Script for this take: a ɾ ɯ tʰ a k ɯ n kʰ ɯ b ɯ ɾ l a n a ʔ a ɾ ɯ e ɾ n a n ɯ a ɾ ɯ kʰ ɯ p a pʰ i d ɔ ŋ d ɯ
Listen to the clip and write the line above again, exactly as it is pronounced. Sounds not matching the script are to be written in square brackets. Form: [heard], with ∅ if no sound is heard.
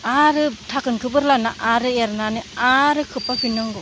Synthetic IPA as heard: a ɾ ɯ tʰ a k ɯ n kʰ ɯ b ɯ ɾ l a n a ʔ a ɾ ɯ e ɾ n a n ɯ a ɾ ɯ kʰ ɯ p a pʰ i [n] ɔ ŋ [ɡ] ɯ